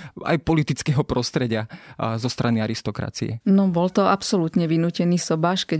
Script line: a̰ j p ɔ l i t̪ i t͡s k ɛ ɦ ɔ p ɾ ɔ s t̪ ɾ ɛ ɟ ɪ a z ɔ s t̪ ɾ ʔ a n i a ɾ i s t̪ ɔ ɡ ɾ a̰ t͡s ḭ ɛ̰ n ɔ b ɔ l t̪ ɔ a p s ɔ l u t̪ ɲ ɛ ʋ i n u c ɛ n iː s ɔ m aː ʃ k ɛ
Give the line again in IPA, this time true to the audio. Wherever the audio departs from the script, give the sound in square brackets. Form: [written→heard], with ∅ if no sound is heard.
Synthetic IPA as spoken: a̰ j p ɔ l i t̪ i t͡s k ɛ ɦ ɔ p ɾ ɔ s t̪ ɾ ɛ ɟ ɪ a z ɔ s t̪ ɾ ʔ a n i a ɾ i s t̪ ɔ [ɡ→k] ɾ a̰ t͡s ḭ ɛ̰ n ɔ b ɔ l t̪ ɔ a p s ɔ l u t̪ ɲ ɛ ʋ i n [u→uː] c ɛ n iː s ɔ [m→b] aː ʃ k ɛ